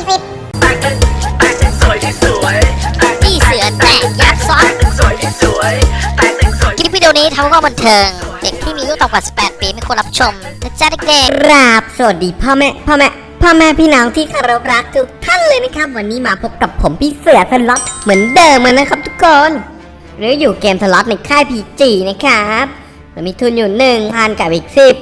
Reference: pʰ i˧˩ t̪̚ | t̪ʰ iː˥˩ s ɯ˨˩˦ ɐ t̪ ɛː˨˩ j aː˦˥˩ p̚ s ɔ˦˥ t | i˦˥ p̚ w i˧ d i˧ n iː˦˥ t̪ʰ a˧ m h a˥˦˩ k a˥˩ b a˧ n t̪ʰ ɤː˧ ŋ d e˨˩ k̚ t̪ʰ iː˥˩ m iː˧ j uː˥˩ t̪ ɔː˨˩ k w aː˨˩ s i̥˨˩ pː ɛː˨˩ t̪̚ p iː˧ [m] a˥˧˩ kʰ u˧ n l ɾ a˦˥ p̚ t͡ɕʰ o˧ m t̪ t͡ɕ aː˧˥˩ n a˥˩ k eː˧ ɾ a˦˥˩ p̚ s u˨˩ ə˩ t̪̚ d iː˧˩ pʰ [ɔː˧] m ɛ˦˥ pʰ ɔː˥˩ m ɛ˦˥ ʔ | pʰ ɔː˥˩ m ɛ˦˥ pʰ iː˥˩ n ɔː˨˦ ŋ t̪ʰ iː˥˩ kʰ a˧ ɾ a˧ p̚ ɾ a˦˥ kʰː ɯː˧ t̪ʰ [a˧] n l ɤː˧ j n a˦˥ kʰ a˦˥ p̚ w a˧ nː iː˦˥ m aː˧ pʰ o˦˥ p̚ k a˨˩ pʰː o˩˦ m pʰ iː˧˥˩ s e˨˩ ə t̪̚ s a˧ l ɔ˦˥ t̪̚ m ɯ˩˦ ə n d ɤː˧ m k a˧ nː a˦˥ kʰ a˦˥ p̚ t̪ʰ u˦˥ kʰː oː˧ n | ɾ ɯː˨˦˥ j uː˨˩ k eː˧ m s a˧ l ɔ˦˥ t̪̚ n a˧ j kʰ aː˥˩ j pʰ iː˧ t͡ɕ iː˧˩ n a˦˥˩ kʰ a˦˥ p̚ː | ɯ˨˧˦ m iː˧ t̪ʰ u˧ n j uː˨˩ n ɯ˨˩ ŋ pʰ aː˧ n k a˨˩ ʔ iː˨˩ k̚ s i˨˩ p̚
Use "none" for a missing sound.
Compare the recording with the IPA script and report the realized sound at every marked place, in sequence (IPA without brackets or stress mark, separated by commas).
m, ɔː˥˩, a˥˩